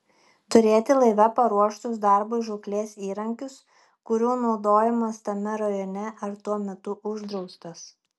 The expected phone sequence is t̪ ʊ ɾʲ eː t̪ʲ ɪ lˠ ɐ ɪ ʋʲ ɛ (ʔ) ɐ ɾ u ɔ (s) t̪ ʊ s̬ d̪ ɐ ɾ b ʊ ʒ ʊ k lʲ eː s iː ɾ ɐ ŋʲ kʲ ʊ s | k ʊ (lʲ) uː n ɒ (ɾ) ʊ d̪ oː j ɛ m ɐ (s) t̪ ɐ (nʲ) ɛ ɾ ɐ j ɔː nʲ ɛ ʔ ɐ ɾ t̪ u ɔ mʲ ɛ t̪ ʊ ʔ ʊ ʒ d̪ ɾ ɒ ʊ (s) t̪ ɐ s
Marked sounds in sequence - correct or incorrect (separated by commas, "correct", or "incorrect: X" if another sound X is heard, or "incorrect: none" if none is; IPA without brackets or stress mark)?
incorrect: p, incorrect: ʃ, incorrect: ɾʲ, incorrect: none, correct, incorrect: mʲ, correct